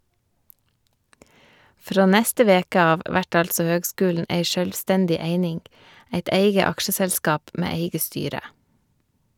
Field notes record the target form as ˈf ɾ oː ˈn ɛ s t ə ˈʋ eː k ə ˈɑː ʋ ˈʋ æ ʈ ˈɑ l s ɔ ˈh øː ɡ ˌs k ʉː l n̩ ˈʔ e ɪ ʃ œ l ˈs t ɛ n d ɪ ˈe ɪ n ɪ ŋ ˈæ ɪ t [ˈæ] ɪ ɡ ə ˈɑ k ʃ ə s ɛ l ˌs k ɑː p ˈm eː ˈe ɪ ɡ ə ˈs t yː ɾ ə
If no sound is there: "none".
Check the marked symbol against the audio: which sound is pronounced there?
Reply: e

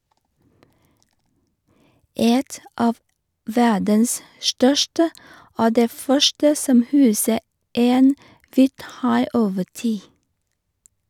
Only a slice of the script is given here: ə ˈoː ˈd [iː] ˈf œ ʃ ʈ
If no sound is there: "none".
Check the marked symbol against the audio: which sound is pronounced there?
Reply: eː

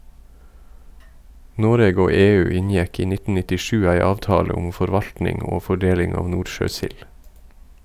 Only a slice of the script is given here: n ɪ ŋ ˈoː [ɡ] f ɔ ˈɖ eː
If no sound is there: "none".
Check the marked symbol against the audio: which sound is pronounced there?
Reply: none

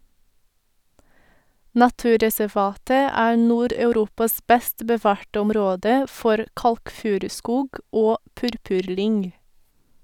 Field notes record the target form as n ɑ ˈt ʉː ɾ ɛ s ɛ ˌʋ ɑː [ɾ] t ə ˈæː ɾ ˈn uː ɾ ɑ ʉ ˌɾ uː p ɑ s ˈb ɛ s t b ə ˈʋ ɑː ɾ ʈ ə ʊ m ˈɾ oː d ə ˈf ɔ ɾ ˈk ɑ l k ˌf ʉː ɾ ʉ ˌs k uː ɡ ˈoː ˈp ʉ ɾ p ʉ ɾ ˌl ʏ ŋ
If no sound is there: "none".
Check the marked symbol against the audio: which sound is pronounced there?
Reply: none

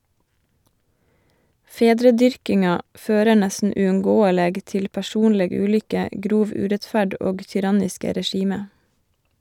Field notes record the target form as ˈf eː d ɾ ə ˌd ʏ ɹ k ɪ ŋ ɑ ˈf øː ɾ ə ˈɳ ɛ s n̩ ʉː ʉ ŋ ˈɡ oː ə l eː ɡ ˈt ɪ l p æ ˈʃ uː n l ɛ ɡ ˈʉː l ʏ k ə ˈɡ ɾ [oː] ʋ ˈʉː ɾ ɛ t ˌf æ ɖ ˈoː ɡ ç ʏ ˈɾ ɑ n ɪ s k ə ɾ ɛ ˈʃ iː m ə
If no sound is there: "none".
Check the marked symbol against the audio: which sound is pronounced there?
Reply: uː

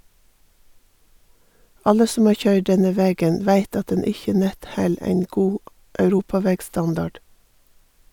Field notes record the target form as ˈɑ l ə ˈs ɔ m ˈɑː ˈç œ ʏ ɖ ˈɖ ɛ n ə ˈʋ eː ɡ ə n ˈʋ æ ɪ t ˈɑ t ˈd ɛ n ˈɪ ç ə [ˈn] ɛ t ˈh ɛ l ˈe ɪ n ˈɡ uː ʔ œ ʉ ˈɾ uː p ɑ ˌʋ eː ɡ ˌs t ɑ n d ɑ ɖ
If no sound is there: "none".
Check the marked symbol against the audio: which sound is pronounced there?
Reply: n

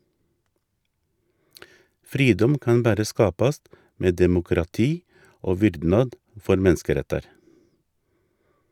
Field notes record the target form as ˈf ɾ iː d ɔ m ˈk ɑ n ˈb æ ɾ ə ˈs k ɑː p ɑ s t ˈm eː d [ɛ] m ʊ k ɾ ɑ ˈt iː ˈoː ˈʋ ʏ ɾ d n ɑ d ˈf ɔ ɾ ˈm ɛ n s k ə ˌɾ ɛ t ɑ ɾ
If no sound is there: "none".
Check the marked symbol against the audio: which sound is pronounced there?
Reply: ɛ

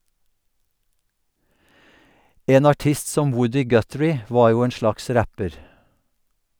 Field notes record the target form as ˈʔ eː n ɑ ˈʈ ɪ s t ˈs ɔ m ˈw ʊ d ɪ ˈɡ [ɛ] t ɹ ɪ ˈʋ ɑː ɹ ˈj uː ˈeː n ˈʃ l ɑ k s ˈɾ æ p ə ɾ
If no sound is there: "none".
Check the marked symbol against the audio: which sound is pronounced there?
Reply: œ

